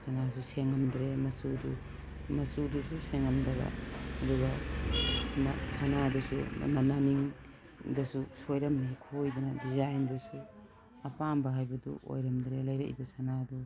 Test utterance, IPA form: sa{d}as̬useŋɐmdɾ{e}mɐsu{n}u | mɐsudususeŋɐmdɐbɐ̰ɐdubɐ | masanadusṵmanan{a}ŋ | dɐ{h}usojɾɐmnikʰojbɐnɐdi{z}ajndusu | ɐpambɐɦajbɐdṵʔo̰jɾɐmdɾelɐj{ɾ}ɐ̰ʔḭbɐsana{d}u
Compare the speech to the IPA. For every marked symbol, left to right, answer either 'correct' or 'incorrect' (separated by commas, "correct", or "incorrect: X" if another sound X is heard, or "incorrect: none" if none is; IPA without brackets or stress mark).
incorrect: n, correct, incorrect: d, incorrect: i, incorrect: s, correct, correct, correct